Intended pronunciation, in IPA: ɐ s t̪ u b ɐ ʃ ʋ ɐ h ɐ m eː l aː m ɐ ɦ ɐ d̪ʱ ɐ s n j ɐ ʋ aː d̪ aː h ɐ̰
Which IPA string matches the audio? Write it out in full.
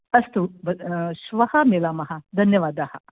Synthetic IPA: ɐ s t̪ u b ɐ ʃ ʋ ɐ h ɐ m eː l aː m ɐ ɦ ɐ d̪ʱ ɐ n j ɐ ʋ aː d̪ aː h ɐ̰